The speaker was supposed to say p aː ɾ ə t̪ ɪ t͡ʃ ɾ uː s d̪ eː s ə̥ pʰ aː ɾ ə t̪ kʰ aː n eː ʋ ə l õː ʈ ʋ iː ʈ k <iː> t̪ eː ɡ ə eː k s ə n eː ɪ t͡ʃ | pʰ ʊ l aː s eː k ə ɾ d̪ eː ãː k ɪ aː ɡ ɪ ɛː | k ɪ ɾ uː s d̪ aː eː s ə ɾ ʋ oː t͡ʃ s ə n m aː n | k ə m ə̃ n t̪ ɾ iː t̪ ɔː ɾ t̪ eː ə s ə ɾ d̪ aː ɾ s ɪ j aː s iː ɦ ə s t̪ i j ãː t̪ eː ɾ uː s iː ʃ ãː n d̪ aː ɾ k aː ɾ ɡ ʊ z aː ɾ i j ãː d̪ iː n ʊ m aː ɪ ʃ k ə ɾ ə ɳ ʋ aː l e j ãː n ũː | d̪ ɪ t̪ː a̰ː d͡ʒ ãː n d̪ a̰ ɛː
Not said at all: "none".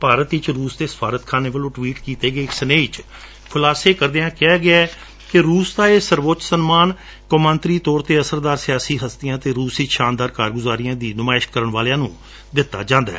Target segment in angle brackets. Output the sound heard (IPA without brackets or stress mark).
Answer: iː